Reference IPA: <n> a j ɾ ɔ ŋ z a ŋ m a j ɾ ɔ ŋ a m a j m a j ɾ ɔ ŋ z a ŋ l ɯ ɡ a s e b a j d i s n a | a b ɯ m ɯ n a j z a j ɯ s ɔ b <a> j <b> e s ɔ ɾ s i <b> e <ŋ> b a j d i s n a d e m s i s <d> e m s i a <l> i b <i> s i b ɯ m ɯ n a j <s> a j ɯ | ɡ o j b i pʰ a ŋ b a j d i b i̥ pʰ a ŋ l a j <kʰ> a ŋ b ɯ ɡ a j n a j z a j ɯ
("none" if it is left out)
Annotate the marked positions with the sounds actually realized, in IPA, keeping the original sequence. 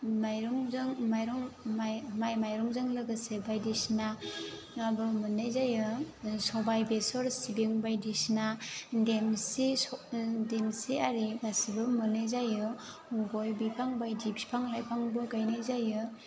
m, a, b, b, ŋ, d, ɾ, a, z, pʰ

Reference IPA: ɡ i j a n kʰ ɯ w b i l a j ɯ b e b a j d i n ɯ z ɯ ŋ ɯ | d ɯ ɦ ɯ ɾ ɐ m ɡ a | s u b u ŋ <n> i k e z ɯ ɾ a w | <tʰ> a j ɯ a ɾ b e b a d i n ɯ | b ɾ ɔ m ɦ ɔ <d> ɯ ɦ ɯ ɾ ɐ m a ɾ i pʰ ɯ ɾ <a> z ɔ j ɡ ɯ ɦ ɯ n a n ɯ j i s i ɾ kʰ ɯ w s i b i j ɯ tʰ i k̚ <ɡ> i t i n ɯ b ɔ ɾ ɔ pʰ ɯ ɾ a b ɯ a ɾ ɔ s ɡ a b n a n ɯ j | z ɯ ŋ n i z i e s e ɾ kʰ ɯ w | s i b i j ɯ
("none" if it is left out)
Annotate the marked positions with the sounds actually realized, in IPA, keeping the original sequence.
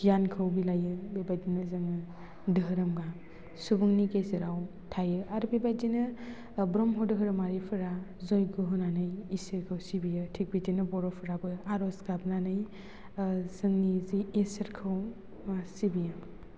n, tʰ, d, a, b

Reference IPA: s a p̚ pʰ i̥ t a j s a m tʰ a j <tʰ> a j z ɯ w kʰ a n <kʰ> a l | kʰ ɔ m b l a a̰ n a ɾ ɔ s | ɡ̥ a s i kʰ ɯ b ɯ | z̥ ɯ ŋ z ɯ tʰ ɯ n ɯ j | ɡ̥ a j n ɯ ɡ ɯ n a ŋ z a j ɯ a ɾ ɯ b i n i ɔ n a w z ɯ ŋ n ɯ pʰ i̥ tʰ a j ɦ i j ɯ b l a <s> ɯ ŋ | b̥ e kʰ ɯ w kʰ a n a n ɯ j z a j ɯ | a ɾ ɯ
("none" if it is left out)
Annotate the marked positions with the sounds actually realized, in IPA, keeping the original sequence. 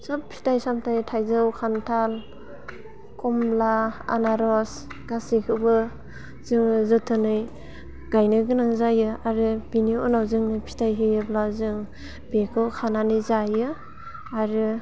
tʰ, tʰ, z

